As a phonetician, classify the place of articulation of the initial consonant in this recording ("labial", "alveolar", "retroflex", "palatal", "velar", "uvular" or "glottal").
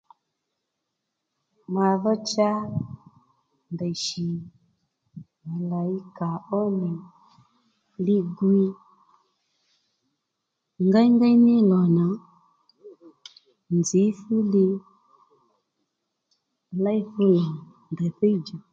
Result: labial